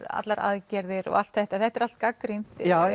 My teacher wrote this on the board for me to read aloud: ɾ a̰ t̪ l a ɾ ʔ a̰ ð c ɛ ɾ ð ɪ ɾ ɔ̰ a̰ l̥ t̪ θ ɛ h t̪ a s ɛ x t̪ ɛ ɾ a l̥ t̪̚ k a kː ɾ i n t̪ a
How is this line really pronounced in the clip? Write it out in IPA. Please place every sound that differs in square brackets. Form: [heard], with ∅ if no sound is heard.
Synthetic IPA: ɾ a̰ t̪ l a ɾ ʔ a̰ ð c ɛ ɾ ð ɪ ɾ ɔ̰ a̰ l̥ t̪ θ ɛ h t̪ a [θ] ɛ [h] t̪ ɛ ɾ a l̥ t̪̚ k a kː ɾ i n t̪ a